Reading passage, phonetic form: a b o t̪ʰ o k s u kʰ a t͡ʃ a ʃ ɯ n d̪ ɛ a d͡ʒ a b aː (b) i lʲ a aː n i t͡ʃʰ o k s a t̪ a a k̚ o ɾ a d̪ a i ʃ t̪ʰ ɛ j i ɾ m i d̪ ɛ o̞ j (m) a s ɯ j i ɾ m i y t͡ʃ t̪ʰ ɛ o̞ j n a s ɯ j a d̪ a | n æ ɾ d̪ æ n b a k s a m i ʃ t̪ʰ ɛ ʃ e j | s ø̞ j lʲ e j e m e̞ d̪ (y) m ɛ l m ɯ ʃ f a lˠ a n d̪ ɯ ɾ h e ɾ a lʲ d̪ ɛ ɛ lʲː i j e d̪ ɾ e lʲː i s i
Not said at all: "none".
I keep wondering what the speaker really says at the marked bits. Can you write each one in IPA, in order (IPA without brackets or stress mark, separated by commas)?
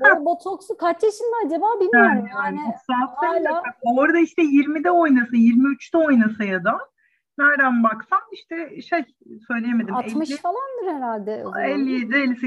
b, n, i